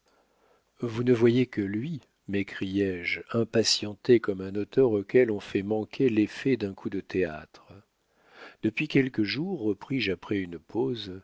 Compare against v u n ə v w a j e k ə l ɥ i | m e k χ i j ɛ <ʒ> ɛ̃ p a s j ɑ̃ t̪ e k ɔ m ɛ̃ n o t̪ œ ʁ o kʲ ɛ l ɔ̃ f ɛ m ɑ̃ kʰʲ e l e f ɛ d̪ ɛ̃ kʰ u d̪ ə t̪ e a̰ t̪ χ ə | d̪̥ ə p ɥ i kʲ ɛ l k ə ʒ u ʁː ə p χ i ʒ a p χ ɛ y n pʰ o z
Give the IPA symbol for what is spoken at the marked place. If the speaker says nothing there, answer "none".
ʒ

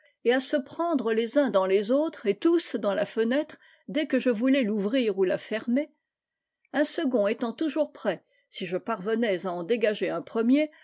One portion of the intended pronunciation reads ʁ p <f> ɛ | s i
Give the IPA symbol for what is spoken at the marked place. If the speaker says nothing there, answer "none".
χ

